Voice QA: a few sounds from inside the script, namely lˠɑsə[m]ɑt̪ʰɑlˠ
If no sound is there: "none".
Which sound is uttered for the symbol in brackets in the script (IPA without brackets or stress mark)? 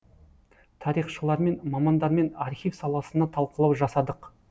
n